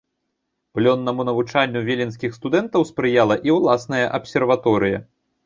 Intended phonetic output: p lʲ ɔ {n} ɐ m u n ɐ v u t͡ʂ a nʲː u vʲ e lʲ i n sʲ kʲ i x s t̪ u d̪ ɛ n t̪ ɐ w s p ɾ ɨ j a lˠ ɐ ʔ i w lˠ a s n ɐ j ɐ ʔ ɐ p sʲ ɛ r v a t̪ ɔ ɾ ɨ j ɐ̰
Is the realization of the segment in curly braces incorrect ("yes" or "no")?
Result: yes